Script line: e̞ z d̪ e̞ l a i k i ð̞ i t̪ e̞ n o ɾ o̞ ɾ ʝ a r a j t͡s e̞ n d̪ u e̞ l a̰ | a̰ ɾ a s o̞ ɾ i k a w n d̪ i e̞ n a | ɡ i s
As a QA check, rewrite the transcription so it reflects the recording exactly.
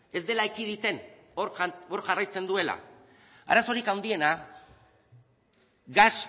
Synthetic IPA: e̞ z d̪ e̞ l a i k i ð̞ i t̪ e̞ n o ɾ o̞ ɾ ʝ a r a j t͡s e̞ n d̪ u e̞ l a̰ | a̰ ɾ a s o̞ ɾ i k a w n d̪ i e̞ n a | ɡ a s